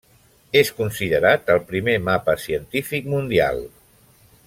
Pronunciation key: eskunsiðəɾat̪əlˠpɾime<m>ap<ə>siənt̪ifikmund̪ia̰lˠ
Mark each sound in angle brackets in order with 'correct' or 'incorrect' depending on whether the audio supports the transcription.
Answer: correct, correct

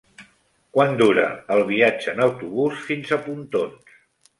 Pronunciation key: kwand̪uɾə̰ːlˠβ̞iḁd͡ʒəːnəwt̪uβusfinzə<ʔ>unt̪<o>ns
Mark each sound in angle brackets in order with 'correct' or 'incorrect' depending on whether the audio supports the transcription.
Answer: incorrect, correct

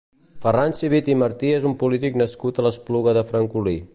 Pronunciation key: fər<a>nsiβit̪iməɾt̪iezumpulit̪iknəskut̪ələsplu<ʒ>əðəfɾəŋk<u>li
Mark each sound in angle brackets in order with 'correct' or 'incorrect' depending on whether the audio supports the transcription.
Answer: correct, incorrect, correct

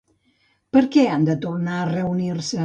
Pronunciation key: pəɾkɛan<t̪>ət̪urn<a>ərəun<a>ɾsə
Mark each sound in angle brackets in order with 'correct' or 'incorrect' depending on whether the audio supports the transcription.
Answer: incorrect, correct, incorrect

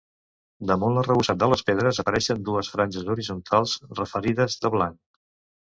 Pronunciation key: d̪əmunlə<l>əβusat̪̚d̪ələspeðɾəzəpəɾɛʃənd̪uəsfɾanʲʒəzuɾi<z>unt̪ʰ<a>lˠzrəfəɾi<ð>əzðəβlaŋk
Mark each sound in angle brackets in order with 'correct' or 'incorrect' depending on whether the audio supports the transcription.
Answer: incorrect, correct, correct, correct

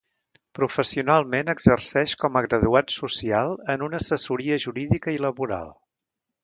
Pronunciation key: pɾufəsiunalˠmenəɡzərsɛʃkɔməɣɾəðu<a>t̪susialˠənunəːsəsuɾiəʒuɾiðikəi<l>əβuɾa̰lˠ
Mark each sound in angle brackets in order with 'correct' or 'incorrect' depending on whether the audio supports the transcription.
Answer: correct, correct

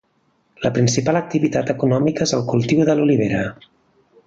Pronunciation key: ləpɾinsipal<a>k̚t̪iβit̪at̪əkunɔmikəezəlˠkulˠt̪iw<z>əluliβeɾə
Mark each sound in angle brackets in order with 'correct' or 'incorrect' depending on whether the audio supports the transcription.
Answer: incorrect, incorrect

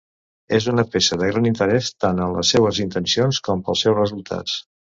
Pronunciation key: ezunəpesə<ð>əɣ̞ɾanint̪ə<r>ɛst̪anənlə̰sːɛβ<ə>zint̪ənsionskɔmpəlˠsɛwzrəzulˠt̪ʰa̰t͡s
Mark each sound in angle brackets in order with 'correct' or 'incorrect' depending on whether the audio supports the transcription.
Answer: correct, incorrect, correct

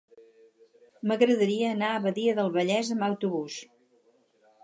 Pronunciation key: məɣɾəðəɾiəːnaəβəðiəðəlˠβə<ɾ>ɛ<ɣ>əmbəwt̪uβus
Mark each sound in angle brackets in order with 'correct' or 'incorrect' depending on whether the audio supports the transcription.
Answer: incorrect, incorrect

